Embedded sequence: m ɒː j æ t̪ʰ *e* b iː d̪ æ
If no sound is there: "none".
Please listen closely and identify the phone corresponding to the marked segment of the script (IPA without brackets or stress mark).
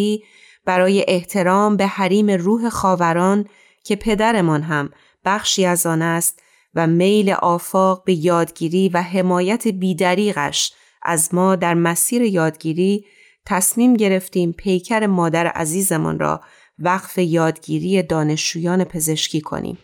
e